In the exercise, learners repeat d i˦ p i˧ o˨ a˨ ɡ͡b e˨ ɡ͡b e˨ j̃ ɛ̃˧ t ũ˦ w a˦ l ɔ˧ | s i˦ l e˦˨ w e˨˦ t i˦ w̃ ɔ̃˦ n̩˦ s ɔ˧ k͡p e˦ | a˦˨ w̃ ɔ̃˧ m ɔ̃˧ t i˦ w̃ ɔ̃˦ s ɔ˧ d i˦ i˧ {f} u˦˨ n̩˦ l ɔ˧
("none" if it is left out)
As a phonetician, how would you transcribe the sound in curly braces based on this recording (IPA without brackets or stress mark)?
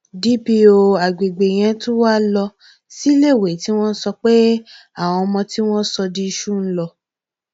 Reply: ʃ